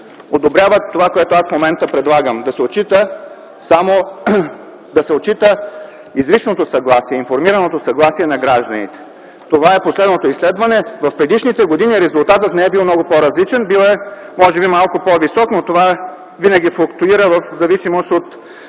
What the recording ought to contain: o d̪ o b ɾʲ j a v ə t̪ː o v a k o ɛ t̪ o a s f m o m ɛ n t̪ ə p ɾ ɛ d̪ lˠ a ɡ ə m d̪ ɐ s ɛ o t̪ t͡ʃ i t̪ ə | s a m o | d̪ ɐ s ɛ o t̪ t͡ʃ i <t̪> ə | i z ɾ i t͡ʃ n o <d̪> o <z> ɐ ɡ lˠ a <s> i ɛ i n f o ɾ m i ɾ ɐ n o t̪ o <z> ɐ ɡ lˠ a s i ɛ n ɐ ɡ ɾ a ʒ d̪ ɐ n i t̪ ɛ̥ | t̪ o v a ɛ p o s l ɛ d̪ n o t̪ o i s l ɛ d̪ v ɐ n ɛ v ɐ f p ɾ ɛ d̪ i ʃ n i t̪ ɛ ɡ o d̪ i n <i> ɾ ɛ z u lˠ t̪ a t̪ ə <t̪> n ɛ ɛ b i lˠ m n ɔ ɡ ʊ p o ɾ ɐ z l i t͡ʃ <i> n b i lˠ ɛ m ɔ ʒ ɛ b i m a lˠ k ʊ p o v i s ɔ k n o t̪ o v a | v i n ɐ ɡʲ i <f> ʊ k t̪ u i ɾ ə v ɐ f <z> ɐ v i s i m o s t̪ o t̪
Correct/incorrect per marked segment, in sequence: correct, incorrect: t̪, incorrect: s, correct, incorrect: s, correct, correct, incorrect: ɛ, correct, correct

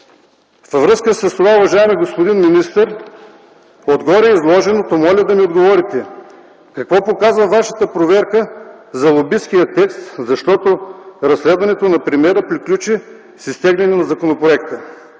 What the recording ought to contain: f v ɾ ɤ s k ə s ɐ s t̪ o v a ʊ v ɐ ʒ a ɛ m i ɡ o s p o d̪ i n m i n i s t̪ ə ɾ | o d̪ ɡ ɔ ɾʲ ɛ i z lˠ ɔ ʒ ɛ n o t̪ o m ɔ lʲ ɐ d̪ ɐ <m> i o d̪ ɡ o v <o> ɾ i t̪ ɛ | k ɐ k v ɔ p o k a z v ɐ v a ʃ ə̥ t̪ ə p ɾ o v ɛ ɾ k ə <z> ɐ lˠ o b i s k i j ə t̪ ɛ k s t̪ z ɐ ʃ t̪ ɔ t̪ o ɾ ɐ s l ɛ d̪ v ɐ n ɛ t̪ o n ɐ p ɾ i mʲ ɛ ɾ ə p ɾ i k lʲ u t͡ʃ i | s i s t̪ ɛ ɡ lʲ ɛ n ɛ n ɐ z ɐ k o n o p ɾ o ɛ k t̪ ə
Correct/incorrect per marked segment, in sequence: correct, incorrect: ɔ, correct

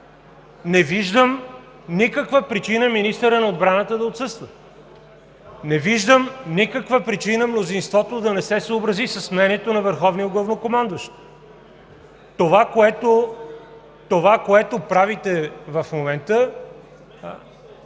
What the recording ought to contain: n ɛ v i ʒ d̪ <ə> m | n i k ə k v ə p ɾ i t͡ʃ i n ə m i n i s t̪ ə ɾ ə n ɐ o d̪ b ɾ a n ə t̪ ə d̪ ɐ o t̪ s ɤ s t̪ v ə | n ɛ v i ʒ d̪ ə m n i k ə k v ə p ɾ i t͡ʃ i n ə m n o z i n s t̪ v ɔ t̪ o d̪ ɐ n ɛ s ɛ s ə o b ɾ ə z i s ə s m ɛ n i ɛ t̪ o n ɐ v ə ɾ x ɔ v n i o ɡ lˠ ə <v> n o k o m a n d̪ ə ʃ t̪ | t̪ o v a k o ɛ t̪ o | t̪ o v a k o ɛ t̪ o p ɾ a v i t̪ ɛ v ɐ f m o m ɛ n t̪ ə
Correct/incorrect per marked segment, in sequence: correct, correct

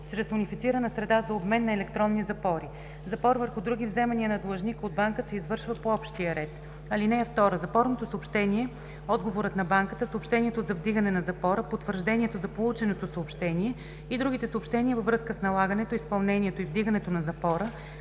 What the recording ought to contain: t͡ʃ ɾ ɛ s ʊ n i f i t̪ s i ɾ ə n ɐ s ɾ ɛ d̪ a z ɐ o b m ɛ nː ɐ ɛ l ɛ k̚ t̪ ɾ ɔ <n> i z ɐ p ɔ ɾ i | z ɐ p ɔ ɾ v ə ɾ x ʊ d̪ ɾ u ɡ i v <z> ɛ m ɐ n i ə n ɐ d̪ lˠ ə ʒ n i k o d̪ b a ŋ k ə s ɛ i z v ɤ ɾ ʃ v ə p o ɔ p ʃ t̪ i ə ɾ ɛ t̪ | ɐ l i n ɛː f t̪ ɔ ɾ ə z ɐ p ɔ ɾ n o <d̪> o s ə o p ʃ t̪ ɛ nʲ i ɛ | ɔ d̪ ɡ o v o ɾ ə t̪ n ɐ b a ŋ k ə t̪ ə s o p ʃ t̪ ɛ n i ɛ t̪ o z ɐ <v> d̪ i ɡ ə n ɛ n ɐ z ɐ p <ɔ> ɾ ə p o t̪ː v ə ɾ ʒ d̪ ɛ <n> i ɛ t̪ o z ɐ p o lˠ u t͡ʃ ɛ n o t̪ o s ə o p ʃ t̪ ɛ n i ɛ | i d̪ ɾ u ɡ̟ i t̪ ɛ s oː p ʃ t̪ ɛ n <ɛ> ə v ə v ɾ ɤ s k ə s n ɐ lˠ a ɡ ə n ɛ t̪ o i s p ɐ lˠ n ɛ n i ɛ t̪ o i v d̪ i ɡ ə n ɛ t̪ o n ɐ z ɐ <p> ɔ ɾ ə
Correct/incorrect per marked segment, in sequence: incorrect: nː, correct, incorrect: t̪, correct, correct, correct, incorrect: i, correct

